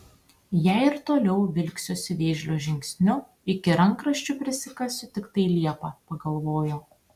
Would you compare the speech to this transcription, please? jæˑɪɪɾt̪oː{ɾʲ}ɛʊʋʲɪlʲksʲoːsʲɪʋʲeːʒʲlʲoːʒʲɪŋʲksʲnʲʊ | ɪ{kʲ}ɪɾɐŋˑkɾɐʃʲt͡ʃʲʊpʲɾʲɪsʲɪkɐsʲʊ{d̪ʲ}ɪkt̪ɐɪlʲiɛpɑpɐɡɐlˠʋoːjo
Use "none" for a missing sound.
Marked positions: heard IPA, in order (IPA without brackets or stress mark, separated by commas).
lʲ, kʲ, t̪ʲ